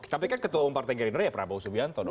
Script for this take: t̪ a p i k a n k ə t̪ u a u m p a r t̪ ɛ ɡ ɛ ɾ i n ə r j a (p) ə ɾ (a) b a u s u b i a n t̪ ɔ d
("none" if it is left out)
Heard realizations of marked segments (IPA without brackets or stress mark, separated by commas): p, a